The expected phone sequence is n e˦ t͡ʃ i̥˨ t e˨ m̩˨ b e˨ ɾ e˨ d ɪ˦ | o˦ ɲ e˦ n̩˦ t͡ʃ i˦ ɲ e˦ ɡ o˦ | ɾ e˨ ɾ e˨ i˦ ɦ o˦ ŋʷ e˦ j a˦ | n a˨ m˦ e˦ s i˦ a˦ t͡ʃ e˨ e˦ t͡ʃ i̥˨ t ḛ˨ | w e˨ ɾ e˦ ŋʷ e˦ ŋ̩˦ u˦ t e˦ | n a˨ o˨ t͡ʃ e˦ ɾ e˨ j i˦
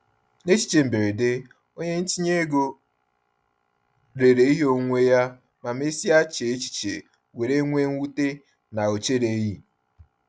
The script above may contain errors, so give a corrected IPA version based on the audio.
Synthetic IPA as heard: n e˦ t͡ʃ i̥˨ t͡ʃ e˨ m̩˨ b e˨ ɾ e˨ d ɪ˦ | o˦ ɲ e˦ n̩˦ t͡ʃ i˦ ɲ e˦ ɡ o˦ | ɾ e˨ ɾ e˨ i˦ ɦ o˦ ŋʷ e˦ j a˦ | m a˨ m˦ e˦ s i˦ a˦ t͡ʃ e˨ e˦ t͡ʃ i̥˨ t͡ʃ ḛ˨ | w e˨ ɾ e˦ ŋʷ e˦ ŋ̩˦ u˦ t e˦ | n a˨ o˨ t͡ʃ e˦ ɾ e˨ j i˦